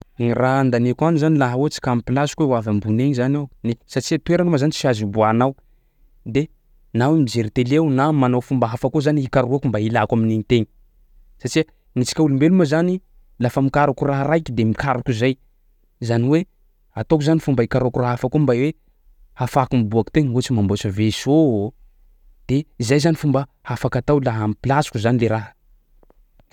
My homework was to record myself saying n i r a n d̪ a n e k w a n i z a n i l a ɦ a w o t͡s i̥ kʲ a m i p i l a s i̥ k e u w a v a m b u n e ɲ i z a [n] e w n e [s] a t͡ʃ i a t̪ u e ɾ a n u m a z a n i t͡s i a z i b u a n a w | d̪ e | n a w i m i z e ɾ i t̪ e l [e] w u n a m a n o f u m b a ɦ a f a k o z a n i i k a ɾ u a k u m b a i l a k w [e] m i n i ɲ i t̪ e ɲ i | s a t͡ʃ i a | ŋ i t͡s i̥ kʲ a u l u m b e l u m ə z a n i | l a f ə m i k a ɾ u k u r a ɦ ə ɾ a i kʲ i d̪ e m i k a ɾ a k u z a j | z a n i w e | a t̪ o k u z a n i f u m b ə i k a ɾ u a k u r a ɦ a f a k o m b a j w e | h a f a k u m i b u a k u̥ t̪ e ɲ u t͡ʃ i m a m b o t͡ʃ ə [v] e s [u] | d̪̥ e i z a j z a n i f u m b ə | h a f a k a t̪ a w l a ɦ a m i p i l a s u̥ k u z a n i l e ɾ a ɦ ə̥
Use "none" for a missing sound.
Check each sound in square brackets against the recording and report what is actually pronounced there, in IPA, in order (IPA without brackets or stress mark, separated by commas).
n, s, e, a, v, o